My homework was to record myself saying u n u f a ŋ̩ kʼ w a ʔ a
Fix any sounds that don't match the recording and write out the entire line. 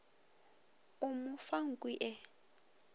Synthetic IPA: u m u f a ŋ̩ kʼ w i ʔ ɛ